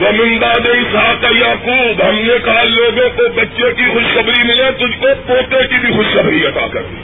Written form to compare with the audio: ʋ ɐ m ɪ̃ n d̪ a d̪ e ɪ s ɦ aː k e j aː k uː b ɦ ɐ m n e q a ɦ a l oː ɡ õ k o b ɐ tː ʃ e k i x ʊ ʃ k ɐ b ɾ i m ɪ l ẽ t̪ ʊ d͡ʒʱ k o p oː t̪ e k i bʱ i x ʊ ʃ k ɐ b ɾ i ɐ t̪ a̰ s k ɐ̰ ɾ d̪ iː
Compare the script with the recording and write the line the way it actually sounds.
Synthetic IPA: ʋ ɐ m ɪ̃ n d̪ a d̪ e ɪ s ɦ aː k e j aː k uː b ɦ ɐ m n e k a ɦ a l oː ɡ õ k o b ɐ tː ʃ e k i x ʊ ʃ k ɐ b ɾ i m ɪ l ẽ t̪ ʊ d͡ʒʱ k o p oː t̪ e k i bʱ i x ʊ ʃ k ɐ b ɾ i ɐ t̪ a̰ k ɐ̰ ɾ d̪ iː